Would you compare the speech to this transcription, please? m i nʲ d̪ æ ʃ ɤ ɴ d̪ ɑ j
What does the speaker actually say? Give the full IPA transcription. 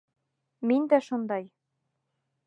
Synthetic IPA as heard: m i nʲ d̪ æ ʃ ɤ n d̪ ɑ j